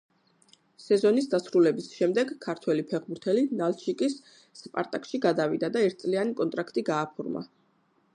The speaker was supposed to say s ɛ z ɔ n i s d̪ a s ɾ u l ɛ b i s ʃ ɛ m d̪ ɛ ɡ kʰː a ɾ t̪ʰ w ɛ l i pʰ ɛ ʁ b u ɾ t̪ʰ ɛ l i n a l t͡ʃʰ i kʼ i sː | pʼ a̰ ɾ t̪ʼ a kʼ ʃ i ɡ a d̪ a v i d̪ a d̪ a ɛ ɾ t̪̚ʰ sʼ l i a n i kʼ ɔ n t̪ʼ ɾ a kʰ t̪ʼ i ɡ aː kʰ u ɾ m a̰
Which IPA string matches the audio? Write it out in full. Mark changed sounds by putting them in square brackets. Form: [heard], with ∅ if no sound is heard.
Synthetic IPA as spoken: s ɛ z ɔ n i s d̪ a s ɾ u l ɛ b i s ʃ ɛ m d̪ ɛ ɡ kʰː a ɾ t̪ʰ w ɛ l i pʰ ɛ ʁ b u ɾ t̪ʰ ɛ l i n a l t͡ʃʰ i kʼ i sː | pʼ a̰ ɾ t̪ʼ a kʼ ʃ i ɡ a d̪ a v i d̪ a d̪ a ɛ ɾ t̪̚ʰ sʼ l i a n i kʼ ɔ n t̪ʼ ɾ a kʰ t̪ʼ i ɡ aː [pʰ] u ɾ m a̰